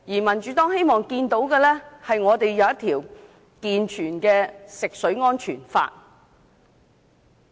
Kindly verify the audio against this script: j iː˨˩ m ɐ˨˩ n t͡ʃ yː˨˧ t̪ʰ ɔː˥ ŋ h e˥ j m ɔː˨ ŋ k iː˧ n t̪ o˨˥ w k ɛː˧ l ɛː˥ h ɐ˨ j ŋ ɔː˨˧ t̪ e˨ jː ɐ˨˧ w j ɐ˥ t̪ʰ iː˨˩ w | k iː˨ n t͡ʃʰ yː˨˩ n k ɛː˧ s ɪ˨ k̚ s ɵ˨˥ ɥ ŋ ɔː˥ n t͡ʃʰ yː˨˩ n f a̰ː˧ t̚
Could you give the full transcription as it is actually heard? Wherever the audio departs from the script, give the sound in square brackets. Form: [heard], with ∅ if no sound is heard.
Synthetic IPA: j iː˨˩ m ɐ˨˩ n t͡ʃ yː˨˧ [t̪] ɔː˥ ŋ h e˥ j m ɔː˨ ŋ k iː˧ n t̪ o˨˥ w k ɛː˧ l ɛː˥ h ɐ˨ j ŋ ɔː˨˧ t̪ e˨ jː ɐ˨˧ w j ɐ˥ t̪ʰ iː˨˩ w | k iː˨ n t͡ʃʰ yː˨˩ n k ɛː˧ s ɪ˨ k̚ s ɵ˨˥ ɥ ŋ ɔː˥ n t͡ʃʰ yː˨˩ n f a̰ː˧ t̚